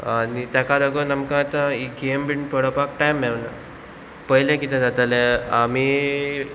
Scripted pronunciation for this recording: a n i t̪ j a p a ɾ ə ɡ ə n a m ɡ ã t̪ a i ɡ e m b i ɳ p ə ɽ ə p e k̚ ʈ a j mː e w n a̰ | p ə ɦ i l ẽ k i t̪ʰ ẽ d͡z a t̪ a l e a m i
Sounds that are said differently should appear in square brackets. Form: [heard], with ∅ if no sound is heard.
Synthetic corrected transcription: a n i t̪ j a [k] a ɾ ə ɡ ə n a m [k] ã t̪ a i ɡ e m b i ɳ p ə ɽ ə p [a] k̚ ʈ a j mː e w n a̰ | p ə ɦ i l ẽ k i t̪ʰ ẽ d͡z a t̪ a l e a m i